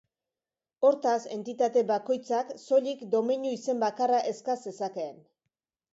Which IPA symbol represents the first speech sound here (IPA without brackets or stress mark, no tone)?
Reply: o̞